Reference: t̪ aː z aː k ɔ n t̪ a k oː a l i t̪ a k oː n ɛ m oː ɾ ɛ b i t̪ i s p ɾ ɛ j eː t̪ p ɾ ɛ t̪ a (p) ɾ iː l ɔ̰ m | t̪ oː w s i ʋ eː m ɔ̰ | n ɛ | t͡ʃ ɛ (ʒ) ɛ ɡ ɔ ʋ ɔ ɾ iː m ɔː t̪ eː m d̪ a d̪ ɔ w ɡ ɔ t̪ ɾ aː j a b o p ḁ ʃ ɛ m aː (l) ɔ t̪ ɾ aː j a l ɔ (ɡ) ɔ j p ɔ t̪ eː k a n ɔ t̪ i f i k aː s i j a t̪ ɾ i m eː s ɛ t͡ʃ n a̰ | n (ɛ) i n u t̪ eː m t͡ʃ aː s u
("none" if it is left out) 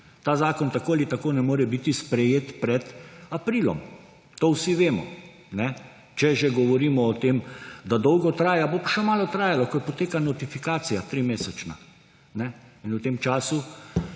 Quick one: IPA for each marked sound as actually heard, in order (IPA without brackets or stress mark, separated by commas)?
p, ʒ, l, k, ɛ